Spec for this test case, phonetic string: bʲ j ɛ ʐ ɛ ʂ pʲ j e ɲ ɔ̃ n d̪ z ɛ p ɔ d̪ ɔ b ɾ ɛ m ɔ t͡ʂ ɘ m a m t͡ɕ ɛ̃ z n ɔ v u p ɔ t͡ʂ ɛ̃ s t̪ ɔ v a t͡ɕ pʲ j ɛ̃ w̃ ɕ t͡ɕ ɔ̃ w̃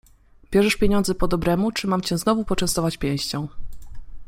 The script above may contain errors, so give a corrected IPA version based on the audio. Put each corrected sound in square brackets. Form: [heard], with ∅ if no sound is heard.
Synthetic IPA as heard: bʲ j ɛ ʐ ɛ ʂ pʲ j e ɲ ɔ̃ n d̪ z ɛ p ɔ d̪ ɔ b ɾ ɛ m [u] t͡ʂ ɘ m a m t͡ɕ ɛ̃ z n ɔ v u p ɔ t͡ʂ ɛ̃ s t̪ ɔ v a t͡ɕ pʲ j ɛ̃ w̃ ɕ t͡ɕ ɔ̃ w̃